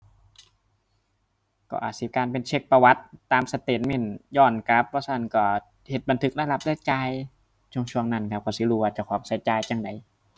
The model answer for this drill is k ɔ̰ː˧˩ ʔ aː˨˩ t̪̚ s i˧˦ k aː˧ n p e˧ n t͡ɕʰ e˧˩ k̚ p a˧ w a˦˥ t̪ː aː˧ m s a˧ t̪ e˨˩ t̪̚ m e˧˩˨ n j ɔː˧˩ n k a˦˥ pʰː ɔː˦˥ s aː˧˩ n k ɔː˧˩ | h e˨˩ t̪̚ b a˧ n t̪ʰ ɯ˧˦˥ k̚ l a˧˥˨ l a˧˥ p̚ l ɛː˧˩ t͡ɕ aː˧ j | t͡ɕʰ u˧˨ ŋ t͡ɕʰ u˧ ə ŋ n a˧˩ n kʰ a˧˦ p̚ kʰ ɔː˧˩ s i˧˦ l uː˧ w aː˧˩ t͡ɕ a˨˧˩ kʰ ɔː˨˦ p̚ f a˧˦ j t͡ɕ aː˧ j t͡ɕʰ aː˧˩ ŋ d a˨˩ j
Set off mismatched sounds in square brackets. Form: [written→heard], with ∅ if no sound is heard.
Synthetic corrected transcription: k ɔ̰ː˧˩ ʔ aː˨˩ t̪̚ s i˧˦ k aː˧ n p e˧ n t͡ɕʰ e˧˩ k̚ p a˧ w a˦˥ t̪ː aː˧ m s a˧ t̪ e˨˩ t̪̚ m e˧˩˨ n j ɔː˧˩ n k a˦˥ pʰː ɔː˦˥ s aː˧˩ n k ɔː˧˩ | h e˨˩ t̪̚ b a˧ n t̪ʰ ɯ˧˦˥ k̚ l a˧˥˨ l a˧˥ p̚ l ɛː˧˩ t͡ɕ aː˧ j | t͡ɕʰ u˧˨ ŋ t͡ɕʰ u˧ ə ŋ n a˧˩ n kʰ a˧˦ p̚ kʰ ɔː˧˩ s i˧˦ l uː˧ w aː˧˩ t͡ɕ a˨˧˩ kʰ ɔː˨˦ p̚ [f→s] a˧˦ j t͡ɕ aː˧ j [t͡ɕʰ→t͡ɕ] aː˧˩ ŋ d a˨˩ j